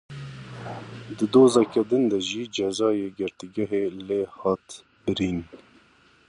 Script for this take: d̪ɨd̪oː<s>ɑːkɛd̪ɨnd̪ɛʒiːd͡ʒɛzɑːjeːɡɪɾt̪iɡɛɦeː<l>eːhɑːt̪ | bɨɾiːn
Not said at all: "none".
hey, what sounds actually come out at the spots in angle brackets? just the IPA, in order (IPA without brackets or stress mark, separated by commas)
z, l